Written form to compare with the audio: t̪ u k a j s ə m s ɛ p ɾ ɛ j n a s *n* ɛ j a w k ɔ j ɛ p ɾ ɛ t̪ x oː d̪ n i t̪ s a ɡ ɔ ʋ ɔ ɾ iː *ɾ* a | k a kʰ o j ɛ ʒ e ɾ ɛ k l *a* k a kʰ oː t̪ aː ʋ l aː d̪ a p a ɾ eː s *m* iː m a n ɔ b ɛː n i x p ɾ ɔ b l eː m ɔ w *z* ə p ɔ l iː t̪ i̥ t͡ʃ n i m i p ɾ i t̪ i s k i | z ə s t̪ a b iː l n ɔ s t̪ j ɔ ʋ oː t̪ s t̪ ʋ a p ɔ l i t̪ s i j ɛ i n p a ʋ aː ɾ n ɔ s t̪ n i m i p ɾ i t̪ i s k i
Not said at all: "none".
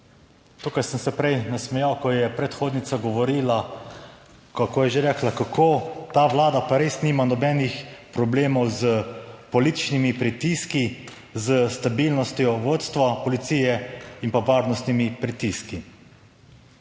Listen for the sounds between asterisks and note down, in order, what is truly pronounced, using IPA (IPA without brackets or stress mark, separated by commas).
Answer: m, l, a, n, z